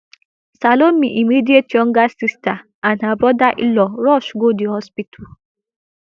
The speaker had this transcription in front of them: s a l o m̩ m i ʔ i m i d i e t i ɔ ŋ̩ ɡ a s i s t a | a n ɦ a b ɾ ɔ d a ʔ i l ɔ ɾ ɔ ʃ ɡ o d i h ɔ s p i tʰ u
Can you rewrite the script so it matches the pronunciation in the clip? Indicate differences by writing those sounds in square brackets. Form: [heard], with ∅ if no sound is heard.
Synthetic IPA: s a l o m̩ m i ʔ i m i d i e t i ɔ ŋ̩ ɡ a s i s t a | a n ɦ a b ɾ ɔ d a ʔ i l ɔ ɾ ɔ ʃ ɡ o d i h ɔ s p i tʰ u